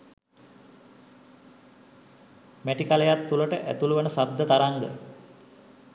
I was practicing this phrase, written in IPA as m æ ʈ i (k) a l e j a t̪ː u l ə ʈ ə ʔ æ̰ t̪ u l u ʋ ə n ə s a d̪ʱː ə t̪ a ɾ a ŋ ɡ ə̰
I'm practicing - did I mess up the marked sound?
no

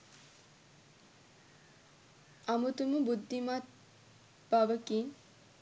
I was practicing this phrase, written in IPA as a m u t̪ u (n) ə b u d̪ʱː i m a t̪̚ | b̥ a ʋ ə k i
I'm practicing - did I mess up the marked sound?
yes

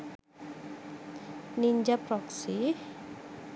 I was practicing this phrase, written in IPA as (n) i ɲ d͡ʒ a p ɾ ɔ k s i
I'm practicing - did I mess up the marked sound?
no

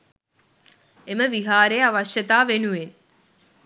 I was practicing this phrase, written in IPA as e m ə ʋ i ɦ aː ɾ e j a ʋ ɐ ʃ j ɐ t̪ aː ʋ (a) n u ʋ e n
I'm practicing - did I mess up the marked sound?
yes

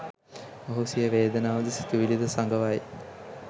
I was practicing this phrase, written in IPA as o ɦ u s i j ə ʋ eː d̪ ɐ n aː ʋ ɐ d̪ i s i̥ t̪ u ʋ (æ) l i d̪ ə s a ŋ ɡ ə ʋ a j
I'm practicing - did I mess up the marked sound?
yes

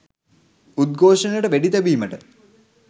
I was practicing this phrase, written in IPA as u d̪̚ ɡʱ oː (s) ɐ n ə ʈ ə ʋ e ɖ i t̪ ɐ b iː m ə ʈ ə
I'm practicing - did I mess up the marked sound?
yes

